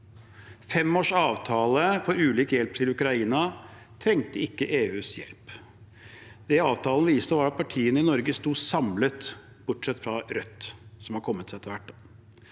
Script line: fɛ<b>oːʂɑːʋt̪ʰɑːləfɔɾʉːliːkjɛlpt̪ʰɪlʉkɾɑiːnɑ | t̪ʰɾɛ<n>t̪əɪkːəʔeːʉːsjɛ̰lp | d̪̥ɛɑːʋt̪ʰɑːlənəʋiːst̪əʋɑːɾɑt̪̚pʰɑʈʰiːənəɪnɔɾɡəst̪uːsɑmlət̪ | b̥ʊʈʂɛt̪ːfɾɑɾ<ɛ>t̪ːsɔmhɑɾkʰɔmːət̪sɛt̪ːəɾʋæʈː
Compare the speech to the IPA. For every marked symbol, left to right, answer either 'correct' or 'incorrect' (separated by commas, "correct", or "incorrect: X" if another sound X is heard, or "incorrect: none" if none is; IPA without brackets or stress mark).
incorrect: m, incorrect: ŋ, incorrect: œ